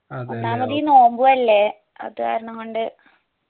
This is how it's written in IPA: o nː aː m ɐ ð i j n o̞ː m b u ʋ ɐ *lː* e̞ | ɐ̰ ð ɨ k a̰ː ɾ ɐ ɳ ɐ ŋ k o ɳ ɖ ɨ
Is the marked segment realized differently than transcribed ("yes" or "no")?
no